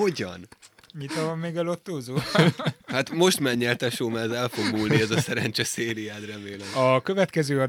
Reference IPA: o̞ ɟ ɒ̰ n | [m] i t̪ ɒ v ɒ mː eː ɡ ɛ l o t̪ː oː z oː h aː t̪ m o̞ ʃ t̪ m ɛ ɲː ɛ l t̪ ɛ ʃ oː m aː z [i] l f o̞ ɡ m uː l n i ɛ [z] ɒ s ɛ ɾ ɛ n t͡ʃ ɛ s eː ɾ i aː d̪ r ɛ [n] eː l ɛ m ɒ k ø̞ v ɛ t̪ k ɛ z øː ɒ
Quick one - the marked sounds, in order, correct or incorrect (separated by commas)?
incorrect, incorrect, correct, incorrect